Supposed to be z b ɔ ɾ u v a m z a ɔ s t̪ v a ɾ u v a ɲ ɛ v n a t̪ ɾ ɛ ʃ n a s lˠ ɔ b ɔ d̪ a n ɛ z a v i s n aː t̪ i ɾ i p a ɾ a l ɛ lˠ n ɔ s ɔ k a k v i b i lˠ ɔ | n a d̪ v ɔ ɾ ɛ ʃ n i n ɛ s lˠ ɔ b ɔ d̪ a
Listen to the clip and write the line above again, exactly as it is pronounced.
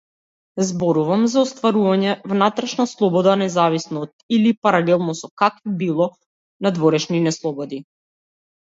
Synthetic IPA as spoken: z b ɔ ɾ u v a m z a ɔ s t̪ v a ɾ u v a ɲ ɛ v n a t̪ ɾ ɛ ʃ n a s lˠ ɔ b ɔ d̪ a n ɛ z a v i s n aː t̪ i l i p a ɾ a l ɛ lˠ n ɔ s ɔ k a k v i b i lˠ ɔ | n a d̪ v ɔ ɾ ɛ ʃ n i n ɛ s lˠ ɔ b ɔ d̪ i

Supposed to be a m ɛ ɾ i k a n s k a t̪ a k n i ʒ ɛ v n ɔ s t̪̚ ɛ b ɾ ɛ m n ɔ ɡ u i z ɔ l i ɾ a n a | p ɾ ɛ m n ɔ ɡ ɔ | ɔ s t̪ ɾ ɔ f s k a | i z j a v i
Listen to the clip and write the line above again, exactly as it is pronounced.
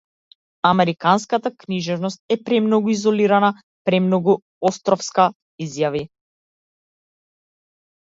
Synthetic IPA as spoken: a m ɛ ɾ i k a n s k a t̪ a k n i ʒ ɛ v n ɔ s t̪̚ ɛ p ɾ ɛ m n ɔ ɡ u i z ɔ l i ɾ a n a | p ɾ ɛ m n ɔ ɡ u | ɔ s t̪ ɾ ɔ f s k a | i z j a v i

